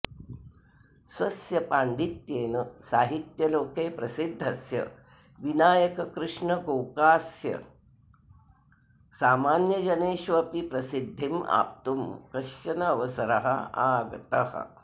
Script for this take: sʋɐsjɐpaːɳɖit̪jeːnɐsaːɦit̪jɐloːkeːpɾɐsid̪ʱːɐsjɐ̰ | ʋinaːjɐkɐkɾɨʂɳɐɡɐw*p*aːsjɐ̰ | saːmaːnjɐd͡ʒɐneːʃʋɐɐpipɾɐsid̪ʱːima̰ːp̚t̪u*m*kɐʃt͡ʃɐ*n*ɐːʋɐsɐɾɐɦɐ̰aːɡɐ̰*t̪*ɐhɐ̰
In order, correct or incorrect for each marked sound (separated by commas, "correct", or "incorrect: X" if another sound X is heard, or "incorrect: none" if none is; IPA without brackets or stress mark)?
incorrect: k, correct, correct, correct